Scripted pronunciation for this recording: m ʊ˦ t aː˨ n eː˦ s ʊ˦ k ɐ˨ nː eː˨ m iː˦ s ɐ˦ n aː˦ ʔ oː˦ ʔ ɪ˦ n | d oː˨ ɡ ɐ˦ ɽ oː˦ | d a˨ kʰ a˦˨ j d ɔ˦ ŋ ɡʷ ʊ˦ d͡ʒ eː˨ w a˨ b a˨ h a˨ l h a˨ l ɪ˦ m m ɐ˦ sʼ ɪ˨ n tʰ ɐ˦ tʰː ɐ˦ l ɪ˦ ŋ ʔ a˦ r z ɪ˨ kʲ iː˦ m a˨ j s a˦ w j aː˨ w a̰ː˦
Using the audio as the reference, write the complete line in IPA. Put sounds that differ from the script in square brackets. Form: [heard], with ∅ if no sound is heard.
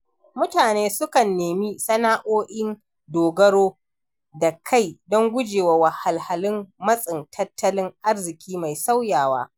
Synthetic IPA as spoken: m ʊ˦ t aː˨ n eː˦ s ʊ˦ k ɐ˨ nː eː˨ m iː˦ s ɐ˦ n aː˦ ʔ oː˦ ʔ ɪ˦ n | d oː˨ ɡ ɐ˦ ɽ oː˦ | d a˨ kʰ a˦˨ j d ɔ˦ ŋ ɡʷ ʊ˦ d͡ʒ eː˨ w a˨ [w] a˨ h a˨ l h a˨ l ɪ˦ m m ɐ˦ sʼ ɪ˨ n tʰ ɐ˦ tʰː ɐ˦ l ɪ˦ ŋ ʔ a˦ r z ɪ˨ kʲ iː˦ m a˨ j s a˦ w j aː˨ w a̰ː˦